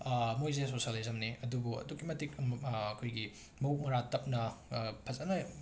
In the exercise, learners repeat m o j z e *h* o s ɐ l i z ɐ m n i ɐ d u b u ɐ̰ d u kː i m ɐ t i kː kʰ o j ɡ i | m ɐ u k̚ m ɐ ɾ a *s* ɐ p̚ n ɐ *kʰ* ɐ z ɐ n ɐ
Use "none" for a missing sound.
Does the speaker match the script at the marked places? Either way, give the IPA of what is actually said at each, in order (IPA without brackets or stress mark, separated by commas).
s, t, pʰ